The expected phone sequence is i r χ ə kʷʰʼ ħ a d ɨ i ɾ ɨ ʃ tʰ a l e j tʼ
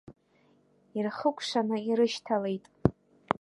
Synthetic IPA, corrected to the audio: i r χ ə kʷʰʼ ʂ a n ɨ i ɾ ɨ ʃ tʰ a l e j tʼ